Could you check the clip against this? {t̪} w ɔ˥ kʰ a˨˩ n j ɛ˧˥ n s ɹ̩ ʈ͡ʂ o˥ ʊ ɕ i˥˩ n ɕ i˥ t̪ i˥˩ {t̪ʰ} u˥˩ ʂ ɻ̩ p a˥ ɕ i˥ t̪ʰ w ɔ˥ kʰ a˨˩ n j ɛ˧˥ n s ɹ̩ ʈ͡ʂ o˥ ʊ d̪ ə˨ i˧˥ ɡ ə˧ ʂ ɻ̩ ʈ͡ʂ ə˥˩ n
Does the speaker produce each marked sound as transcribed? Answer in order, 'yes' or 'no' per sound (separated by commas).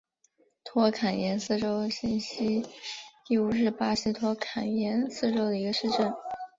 no, no